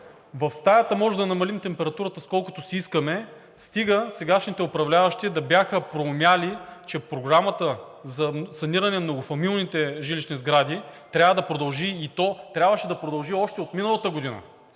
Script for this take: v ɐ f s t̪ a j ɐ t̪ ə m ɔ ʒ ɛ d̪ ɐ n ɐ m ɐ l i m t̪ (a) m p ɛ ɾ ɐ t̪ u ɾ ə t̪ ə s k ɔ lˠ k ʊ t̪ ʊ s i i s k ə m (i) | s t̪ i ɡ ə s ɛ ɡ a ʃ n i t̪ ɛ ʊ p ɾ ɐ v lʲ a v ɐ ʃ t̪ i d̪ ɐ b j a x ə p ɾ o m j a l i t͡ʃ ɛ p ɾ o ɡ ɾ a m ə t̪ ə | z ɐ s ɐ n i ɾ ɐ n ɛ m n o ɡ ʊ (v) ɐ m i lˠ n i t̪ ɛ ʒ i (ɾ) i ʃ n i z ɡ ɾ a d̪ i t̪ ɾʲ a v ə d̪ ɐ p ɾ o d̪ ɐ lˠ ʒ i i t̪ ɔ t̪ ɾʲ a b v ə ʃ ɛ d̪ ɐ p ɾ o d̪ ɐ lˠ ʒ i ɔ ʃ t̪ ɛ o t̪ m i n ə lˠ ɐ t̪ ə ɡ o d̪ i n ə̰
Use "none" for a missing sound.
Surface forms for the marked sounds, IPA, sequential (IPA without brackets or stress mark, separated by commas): ɛ, ɛ, f, l